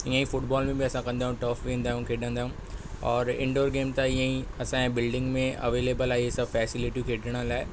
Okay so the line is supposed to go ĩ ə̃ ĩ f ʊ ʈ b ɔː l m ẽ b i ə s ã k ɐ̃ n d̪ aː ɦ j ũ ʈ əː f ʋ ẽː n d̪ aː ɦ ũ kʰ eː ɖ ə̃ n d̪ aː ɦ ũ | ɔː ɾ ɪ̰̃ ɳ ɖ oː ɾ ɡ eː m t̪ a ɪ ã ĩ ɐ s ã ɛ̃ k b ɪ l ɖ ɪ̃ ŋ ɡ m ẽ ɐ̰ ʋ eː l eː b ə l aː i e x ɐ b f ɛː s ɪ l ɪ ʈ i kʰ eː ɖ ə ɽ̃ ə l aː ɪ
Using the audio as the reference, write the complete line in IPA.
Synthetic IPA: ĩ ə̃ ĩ f ʊ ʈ b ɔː l m ẽ b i ɐ s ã k ɐ̃ n d̪ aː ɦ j ũ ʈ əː f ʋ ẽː n d̪ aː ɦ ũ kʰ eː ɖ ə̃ n d̪ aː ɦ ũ | ɔː ɾ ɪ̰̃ ɳ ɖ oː ɾ ɡ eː m t̪ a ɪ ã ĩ ɐ s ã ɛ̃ b ɪ l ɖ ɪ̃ ŋ ɡ m ẽ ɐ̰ ʋ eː l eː b ə l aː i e s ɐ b f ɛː s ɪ l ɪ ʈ i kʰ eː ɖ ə ɽ̃ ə l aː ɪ

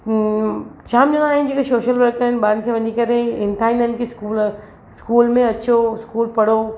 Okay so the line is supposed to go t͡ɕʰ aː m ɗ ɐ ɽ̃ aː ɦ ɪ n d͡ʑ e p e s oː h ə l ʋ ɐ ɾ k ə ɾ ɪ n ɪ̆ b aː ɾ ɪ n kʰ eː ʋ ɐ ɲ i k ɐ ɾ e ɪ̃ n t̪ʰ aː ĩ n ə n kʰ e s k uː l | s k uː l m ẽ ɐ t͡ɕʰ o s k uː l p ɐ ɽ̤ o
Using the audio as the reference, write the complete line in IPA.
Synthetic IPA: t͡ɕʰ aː m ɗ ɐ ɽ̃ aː ɦ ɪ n d͡ʑ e k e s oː ʃ ə l ʋ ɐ ɾ k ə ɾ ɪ n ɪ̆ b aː ɾ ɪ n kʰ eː ʋ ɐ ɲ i k ɐ ɾ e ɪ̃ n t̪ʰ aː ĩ n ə n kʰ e s k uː l | s k uː l m ẽ ɐ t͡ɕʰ o s k uː l p ɐ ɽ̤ o

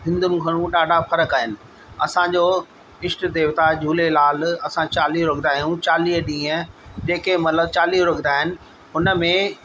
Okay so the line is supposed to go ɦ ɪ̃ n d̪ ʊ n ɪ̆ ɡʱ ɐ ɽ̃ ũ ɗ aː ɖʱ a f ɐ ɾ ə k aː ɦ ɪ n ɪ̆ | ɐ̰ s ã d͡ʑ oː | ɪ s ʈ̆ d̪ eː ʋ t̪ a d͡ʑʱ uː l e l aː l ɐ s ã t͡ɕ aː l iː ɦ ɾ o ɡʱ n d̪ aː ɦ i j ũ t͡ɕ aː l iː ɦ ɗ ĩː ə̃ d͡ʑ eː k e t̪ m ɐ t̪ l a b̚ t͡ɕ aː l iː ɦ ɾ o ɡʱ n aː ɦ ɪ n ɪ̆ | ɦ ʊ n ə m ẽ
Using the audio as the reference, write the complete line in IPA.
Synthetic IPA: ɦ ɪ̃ n d̪ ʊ n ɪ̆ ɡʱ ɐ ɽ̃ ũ ɗ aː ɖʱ a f ɐ ɾ ə k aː ɦ ɪ n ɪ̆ | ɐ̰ s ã d͡ʑ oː | ɪ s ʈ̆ d̪ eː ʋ t̪ a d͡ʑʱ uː l e l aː l ɐ s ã t͡ɕ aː l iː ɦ ɾ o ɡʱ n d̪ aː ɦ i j ũ t͡ɕ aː l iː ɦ ɗ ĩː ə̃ d͡ʑ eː k e m ɐ t̪ l ə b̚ t͡ɕ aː l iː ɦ ɾ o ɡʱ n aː ɦ ɪ n ɪ̆ | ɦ ʊ n ə m ẽ

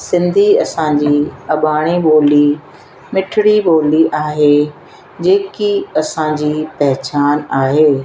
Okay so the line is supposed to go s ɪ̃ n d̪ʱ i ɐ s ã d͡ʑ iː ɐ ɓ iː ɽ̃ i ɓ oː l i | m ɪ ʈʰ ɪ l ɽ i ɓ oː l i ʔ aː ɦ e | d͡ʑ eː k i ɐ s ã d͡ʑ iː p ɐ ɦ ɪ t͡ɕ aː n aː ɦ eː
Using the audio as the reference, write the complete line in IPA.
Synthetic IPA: s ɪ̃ n d̪ʱ i ɐ s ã d͡ʑ iː ɐ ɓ aː ɽ̃ i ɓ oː l i | m ɪ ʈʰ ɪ ɽ i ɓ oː l i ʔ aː ɦ e | d͡ʑ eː k i ɐ s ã d͡ʑ iː p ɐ ɦ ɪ t͡ɕ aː n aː ɦ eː

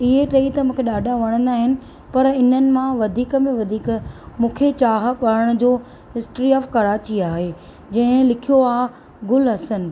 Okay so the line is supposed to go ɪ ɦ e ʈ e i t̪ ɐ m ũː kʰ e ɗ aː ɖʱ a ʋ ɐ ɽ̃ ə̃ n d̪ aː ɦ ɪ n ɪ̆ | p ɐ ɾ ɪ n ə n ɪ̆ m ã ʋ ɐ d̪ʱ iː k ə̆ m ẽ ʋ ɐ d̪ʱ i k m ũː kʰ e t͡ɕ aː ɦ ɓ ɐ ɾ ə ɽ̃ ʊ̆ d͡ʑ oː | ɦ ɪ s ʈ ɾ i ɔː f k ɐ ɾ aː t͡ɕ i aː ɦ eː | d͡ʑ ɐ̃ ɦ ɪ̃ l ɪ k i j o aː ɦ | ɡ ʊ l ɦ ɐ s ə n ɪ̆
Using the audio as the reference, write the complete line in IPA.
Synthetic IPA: ɪ ɦ e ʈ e i t̪ ɐ m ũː kʰ e ɗ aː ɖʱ a ʋ ɐ ɽ̃ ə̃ n d̪ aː ɦ ɪ n ɪ̆ | p ɐ ɾ ɪ n ə n ɪ̆ m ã ʋ ɐ d̪ʱ iː k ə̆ m ẽ ʋ ɐ d̪ʱ iː k m ũː kʰ e t͡ɕ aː ɦ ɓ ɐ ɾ ə ɽ̃ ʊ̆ d͡ʑ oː | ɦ ɪ s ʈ ɾ i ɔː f k ɐ ɾ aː t͡ɕ i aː ɦ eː | d͡ʑ ɐ̃ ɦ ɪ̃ l ɪ kʰ i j o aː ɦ | ɡ ʊ l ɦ ɐ s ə n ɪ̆

